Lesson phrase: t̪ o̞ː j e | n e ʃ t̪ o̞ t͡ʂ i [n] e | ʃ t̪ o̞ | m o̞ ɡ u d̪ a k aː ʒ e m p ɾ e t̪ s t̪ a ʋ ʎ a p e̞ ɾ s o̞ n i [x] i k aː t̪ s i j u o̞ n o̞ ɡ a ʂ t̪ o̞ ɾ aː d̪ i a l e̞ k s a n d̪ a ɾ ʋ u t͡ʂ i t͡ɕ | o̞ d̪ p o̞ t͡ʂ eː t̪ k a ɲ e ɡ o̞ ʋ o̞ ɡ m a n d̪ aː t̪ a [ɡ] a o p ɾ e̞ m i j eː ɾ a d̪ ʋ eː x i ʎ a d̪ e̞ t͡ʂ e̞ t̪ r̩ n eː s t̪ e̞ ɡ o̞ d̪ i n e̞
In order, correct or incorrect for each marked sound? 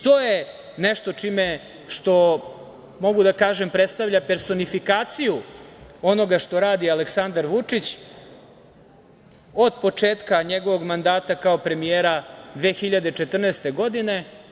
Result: incorrect: m, incorrect: f, incorrect: k

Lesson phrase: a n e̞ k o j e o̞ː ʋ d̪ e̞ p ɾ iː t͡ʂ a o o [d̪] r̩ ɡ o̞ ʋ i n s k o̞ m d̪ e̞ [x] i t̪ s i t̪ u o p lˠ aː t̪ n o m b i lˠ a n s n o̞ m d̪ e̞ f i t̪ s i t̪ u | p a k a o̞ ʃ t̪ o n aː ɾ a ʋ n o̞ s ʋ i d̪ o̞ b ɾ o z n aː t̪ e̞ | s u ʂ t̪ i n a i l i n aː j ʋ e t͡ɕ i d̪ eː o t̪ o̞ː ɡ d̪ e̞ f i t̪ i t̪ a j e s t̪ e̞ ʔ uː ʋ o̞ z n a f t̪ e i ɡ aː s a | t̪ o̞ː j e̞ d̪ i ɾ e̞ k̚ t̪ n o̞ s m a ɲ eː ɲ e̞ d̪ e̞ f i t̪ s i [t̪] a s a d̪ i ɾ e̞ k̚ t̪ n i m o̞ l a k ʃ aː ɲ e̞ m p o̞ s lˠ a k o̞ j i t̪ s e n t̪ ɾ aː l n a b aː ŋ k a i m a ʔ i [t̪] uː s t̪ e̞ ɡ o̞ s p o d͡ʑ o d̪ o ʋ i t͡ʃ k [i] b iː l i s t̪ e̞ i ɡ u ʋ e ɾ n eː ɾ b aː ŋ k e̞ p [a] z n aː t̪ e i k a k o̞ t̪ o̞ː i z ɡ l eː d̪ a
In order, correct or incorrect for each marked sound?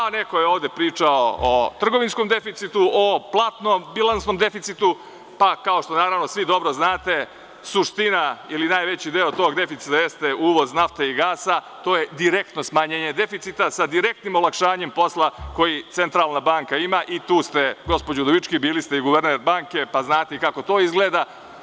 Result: incorrect: t̪, incorrect: f, correct, correct, correct, correct

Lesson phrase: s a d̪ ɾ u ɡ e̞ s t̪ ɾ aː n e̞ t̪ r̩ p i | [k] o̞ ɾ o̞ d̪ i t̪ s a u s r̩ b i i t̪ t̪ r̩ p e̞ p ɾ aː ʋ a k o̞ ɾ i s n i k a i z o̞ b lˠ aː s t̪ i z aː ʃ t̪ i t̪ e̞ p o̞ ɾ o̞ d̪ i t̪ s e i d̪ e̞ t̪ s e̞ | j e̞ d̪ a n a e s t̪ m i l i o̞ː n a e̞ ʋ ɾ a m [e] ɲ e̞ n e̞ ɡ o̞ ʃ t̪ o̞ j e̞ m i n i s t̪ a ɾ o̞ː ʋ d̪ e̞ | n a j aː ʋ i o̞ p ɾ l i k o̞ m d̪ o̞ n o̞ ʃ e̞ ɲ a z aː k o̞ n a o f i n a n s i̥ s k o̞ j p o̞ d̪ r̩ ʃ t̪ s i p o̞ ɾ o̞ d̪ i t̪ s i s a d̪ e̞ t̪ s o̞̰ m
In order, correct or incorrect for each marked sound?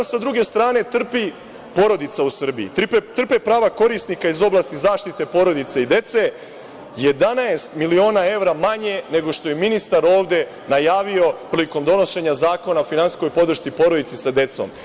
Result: incorrect: p, incorrect: a

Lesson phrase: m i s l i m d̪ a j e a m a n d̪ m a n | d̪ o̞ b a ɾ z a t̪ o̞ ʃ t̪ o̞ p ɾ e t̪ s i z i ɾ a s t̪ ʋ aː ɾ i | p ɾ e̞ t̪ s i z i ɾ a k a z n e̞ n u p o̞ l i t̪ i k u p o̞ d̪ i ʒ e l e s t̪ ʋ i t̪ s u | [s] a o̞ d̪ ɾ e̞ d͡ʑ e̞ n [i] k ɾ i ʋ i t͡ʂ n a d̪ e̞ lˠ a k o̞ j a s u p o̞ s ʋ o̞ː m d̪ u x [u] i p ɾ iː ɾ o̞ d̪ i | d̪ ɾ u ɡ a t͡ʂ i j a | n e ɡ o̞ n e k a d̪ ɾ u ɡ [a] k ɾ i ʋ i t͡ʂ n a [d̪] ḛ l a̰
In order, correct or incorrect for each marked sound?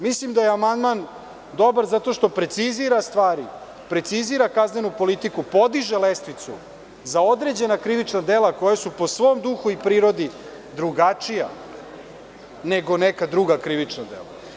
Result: incorrect: z, incorrect: a, correct, correct, correct

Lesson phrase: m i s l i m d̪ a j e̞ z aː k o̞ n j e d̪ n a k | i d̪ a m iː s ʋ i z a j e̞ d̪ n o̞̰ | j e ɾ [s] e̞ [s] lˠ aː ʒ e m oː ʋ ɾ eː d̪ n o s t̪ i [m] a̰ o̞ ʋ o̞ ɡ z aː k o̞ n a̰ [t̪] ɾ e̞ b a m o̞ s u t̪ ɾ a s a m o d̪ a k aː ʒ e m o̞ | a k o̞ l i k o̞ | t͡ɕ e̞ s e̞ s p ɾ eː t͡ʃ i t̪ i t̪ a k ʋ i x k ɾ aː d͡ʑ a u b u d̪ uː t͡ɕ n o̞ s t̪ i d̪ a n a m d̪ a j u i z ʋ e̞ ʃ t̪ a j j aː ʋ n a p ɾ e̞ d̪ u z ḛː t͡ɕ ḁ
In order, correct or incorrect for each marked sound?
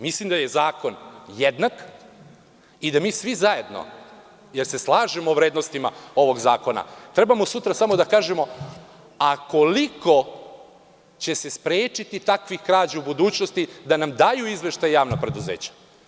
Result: correct, correct, correct, correct

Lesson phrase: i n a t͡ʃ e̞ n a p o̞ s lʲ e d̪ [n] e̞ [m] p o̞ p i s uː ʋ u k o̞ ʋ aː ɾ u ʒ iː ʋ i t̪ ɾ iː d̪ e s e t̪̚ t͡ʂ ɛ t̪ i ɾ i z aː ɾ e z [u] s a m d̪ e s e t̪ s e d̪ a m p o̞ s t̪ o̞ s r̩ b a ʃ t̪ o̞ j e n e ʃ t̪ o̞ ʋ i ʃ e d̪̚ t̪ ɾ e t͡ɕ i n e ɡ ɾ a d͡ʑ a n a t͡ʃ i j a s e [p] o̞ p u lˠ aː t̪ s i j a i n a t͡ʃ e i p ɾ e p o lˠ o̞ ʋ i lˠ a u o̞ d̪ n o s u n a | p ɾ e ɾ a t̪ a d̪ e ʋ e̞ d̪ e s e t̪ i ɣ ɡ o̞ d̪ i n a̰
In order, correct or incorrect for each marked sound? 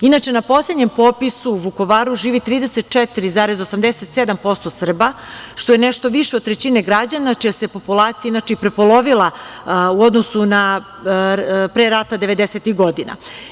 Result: incorrect: ɲ, correct, incorrect: o, correct

